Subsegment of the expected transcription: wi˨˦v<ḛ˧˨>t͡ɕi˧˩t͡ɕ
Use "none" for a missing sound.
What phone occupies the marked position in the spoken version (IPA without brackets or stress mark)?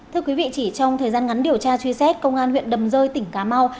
ḭ˧˨